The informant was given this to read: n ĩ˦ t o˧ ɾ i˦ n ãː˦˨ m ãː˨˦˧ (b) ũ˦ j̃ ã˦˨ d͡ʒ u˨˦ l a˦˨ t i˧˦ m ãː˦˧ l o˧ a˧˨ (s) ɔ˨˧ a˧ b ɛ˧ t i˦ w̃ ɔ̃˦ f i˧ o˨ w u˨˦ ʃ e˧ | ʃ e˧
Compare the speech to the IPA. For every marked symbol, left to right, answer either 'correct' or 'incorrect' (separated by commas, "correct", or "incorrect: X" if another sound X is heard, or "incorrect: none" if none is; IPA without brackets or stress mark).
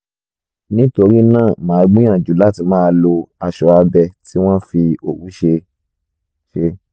incorrect: ɡ͡b, incorrect: ʃ